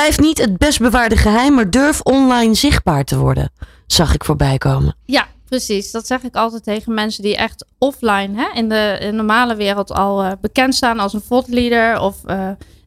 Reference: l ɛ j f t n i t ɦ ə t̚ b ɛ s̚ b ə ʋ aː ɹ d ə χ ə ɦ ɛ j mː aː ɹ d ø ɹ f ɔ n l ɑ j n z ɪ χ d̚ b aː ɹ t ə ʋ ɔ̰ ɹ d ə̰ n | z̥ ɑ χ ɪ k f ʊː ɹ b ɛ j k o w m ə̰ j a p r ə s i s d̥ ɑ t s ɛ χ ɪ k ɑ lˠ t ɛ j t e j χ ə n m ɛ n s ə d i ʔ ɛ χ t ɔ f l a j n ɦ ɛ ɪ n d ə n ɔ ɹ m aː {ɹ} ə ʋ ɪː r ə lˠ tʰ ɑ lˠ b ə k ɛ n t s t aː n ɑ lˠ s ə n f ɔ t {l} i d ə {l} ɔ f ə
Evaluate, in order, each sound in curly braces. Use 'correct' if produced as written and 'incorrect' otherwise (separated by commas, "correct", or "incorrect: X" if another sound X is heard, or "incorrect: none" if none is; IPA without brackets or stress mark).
incorrect: l, correct, incorrect: ɹ